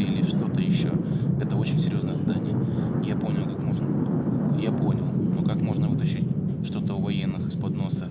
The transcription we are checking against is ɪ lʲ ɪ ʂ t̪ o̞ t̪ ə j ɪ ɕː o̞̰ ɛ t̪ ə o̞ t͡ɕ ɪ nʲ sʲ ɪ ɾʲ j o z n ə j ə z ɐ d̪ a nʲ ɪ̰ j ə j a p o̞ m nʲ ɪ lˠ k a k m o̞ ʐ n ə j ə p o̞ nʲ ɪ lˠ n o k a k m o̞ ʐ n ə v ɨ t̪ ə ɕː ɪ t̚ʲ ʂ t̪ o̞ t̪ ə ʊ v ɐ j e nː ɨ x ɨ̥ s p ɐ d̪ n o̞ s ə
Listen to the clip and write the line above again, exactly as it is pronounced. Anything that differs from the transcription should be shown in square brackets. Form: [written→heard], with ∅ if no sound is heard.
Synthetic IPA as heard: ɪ lʲ ɪ ʂ t̪ o̞ t̪ ə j ɪ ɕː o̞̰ ɛ t̪ ə o̞ t͡ɕ ɪ nʲ sʲ ɪ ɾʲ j o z n ə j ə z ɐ d̪ a nʲ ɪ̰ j ə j a p o̞ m nʲ ɪ lˠ k a k m o̞ ʐ n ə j [ə→a] p o̞ nʲ ɪ lˠ n o k a k m o̞ ʐ n ə v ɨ t̪ ə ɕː ɪ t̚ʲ ʂ t̪ o̞ t̪ ə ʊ v ɐ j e nː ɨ x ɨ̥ s p ɐ d̪ n o̞ s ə

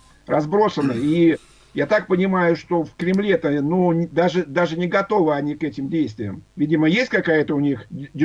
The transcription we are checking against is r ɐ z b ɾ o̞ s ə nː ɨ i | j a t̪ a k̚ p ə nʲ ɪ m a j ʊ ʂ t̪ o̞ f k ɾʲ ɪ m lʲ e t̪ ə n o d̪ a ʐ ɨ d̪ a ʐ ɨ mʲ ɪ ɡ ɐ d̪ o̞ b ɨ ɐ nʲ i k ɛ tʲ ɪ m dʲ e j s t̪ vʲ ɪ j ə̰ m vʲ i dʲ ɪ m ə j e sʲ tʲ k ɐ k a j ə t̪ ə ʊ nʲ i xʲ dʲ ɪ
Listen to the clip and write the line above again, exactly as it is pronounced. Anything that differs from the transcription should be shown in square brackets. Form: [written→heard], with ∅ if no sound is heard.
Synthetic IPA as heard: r ɐ z b ɾ o̞ s ə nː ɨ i | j a t̪ a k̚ p ə nʲ ɪ m a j ʊ ʂ t̪ o̞ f k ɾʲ ɪ m lʲ e t̪ ə n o d̪ a ʐ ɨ d̪ a ʐ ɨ [mʲ→nʲ] ɪ ɡ ɐ [d̪→t̪] o̞ [b→v] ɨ ɐ nʲ i k ɛ tʲ ɪ m dʲ e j s t̪ vʲ ɪ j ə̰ m vʲ i dʲ ɪ m ə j e sʲ tʲ k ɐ k a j ə t̪ ə ʊ nʲ i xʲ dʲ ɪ

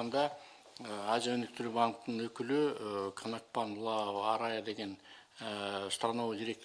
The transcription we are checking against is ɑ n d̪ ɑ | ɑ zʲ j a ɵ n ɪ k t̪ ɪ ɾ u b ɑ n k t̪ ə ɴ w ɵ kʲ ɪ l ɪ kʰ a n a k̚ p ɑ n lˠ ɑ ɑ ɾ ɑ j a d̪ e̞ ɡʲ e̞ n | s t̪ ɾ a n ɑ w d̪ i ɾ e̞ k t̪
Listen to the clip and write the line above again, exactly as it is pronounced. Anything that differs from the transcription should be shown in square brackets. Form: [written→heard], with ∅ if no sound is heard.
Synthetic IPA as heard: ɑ n d̪ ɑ | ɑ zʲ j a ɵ n ɪ k t̪ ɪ ɾ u b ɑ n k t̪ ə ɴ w ɵ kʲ ɪ l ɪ kʰ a n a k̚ p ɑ n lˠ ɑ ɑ ɾ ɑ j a d̪ e̞ ɡʲ e̞ n | s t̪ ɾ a n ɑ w d̪ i ɾ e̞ k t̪

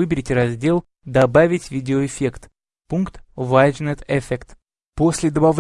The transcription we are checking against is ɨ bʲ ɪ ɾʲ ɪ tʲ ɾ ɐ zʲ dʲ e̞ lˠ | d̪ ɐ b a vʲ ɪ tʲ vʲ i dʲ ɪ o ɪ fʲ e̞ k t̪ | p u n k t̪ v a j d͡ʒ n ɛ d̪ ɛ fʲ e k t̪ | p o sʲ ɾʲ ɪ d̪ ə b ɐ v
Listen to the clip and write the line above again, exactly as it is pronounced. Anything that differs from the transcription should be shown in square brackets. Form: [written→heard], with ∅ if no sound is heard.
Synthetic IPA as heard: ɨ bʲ ɪ ɾʲ ɪ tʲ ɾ ɐ zʲ dʲ e̞ lˠ | d̪ ɐ b a vʲ ɪ tʲ vʲ i dʲ ɪ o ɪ fʲ e̞ k t̪ | p u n k t̪ v a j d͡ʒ n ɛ [d̪→t̪] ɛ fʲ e k t̪ | p o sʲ [ɾʲ→lʲ] ɪ d̪ ə b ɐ v

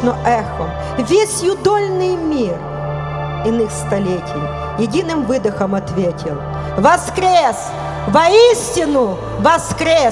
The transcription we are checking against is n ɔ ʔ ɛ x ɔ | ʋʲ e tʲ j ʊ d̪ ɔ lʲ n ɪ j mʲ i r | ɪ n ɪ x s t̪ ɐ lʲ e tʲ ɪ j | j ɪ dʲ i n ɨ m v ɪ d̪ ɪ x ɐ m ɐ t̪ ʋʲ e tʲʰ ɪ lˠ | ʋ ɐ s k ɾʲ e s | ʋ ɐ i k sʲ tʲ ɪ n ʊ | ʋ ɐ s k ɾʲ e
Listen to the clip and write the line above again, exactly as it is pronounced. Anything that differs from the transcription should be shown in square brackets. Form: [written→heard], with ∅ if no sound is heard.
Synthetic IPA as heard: n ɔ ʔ ɛ x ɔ | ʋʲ e [tʲ→sʲ] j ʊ d̪ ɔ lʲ n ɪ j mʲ i r | ɪ n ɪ x s t̪ ɐ lʲ e tʲ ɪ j | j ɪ dʲ i n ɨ m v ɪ d̪ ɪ x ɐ m ɐ t̪ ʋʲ e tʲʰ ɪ lˠ | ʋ ɐ s k ɾʲ e s | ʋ ɐ i [k→∅] sʲ tʲ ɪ n ʊ | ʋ ɐ s k ɾʲ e

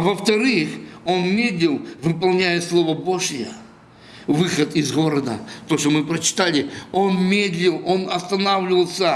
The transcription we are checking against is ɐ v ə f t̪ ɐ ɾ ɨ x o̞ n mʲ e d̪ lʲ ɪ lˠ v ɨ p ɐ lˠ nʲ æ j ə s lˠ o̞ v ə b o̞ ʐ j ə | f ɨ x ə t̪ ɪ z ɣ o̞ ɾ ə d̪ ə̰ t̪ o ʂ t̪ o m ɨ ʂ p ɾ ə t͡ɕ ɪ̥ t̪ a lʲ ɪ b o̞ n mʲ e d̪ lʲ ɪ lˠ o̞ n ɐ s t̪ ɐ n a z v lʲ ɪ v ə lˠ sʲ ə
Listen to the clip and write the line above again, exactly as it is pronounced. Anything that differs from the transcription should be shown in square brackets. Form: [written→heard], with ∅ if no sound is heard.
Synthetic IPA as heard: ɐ v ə f t̪ ɐ ɾ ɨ x o̞ n mʲ e d̪ lʲ ɪ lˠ v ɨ p ɐ lˠ nʲ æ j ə s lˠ o̞ v ə b o̞ ʐ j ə | [f→v] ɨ x ə t̪ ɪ z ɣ o̞ ɾ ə d̪ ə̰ t̪ o ʂ t̪ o m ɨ [ʂ→∅] p ɾ ə t͡ɕ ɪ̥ t̪ a lʲ ɪ [b→∅] o̞ n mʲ e d̪ lʲ ɪ lˠ o̞ n ɐ s t̪ ɐ n a [z→∅] v lʲ ɪ v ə lˠ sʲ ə

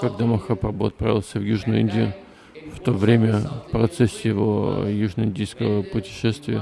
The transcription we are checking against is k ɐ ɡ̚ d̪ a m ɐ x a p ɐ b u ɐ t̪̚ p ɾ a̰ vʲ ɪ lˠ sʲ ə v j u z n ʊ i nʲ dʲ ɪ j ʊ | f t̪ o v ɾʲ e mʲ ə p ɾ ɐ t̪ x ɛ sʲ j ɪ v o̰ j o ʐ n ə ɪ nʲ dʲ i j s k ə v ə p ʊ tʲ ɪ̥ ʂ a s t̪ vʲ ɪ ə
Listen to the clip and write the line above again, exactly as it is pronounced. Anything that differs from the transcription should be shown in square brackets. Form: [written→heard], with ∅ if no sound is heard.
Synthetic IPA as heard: k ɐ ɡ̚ d̪ a m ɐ x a p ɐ b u ɐ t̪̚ p ɾ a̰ vʲ ɪ lˠ sʲ ə v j u [z→ʐ] n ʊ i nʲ dʲ ɪ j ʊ | f t̪ o v ɾʲ e mʲ ə p ɾ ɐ t̪ [x→s] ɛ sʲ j ɪ v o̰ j [o→u] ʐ n ə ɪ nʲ dʲ i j s k ə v ə p ʊ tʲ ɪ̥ ʂ [a→ɛ] s t̪ vʲ ɪ ə

